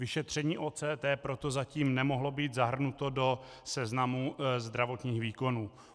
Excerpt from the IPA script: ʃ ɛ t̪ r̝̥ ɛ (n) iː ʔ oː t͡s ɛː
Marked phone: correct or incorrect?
incorrect